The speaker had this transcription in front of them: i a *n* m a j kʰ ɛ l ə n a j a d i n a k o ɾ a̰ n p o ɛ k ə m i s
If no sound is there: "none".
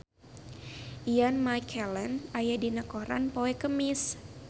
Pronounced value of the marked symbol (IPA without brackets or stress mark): n